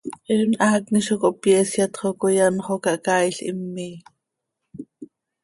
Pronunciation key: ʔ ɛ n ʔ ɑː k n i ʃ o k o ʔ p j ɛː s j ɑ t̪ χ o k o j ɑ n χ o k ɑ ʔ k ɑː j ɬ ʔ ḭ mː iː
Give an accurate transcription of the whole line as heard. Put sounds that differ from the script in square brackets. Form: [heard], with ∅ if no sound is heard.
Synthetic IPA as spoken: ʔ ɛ n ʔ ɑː k n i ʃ o k o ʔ p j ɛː s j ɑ t̪ χ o k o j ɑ n χ o k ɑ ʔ k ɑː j ɬ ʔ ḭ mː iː